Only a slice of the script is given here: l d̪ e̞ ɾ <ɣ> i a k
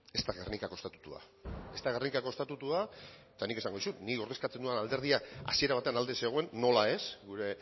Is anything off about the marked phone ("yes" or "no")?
yes